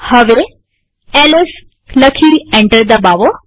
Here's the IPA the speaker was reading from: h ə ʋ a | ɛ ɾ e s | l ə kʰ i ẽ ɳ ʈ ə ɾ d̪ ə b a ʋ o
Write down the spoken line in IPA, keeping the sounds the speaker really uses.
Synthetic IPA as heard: h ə ʋ e | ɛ l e s | l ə kʰ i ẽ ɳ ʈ ə ɾ d̪ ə b a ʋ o